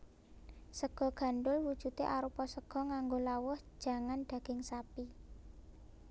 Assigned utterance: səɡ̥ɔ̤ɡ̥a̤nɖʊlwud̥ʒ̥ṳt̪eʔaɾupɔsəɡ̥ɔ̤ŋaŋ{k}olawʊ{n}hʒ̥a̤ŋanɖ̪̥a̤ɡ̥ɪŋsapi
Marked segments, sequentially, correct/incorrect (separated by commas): incorrect, incorrect